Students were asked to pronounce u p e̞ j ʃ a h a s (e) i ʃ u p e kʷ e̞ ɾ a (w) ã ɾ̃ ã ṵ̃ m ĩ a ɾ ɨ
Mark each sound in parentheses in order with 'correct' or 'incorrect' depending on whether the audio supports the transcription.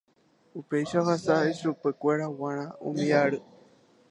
incorrect: a, correct

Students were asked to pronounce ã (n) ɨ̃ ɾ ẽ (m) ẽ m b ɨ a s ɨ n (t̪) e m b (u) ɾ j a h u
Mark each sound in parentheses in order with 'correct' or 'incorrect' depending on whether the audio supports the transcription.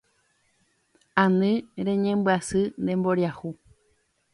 correct, incorrect: ɲ, incorrect: d̪, incorrect: o

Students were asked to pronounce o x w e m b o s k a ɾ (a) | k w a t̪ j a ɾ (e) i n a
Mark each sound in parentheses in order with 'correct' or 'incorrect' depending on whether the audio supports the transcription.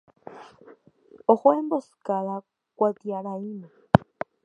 correct, incorrect: a

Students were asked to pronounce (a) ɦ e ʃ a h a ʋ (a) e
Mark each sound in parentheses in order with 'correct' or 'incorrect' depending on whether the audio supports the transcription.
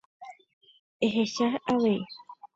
incorrect: e, incorrect: e

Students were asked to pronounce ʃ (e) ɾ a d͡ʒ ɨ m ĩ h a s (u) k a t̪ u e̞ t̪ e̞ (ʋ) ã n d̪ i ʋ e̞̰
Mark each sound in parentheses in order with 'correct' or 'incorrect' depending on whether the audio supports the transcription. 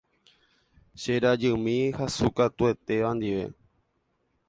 correct, correct, correct

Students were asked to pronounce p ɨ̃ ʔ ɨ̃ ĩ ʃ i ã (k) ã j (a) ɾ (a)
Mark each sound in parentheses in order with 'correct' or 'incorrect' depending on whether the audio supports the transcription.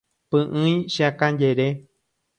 correct, incorrect: e, incorrect: e

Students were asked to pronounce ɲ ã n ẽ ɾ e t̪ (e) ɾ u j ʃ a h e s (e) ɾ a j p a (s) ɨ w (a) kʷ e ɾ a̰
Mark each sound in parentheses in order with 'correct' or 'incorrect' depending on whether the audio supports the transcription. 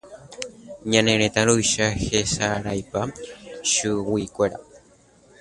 incorrect: a, incorrect: a, incorrect: ʃ, incorrect: i

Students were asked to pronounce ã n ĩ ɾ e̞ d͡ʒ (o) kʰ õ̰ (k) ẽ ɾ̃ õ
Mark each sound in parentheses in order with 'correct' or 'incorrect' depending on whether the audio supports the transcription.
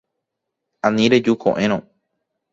incorrect: u, incorrect: ʔ

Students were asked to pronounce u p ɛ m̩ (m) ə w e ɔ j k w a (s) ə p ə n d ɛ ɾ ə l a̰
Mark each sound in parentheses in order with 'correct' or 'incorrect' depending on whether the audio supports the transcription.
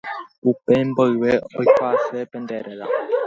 incorrect: b, correct

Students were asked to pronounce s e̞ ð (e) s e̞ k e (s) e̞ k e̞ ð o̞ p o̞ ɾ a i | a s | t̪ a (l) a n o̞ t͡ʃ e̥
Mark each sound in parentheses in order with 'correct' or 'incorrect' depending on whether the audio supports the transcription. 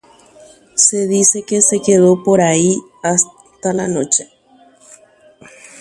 incorrect: i, correct, correct

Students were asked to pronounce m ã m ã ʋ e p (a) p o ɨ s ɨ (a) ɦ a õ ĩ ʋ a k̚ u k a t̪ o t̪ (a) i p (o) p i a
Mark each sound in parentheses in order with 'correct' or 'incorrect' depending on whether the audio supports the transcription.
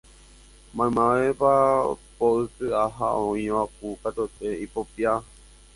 correct, correct, incorrect: e, correct

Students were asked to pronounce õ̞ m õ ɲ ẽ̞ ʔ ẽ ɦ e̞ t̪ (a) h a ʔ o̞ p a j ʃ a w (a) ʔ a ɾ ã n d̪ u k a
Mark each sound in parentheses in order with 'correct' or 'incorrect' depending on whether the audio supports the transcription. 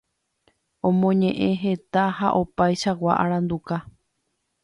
correct, correct

